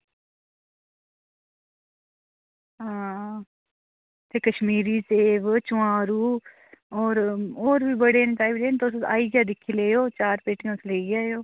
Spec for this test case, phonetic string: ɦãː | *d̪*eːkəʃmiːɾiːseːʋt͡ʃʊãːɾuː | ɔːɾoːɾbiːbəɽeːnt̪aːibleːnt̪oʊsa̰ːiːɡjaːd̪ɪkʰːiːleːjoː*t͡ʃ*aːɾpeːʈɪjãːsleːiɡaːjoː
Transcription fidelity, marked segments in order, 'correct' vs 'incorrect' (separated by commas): incorrect, correct